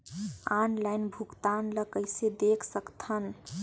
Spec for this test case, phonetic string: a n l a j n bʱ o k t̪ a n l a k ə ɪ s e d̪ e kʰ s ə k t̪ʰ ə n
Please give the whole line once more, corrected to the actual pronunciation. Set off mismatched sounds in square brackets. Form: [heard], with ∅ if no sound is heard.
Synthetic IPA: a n l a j n bʱ [u] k t̪ a n l [ə] k ə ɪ s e d̪ e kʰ s ə k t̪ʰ ə n